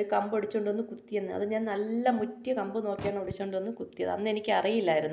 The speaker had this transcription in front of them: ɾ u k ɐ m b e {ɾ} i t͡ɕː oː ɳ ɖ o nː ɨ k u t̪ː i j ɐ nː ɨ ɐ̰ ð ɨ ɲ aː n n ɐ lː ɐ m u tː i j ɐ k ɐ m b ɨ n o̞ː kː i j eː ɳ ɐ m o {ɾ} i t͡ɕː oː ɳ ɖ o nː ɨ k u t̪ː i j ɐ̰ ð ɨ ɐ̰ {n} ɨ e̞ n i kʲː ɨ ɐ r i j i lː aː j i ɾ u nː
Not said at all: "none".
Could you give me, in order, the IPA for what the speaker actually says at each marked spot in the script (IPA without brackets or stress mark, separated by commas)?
ɽ, ɽ, nː